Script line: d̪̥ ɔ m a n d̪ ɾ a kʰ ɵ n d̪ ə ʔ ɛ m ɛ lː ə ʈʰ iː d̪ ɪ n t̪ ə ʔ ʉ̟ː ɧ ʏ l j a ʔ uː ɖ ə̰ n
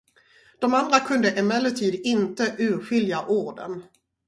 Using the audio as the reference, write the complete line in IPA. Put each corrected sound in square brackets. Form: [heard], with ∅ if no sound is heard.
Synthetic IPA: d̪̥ ɔ m a n d̪ ɾ a kʰ ɵ n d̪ ə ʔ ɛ m ɛ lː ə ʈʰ iː d̪ ɪ n t̪ ə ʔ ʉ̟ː ɧ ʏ l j a ʔ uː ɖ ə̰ n